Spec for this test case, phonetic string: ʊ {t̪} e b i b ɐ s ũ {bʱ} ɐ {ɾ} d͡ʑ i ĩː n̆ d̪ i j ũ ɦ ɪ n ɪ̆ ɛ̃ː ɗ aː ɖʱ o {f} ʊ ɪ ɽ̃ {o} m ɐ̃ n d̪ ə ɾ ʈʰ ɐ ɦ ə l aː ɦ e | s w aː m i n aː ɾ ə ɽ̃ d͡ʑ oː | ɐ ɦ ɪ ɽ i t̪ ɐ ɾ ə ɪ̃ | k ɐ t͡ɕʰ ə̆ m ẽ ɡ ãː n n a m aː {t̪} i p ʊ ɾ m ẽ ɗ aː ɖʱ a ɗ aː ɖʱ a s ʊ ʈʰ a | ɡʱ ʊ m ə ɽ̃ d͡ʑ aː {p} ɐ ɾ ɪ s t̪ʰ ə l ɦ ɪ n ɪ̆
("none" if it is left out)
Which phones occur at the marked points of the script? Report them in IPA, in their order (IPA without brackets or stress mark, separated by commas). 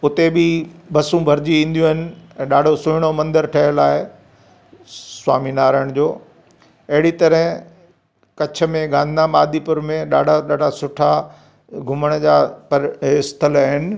t̪, bʱ, ɾ, s, o, d̪, p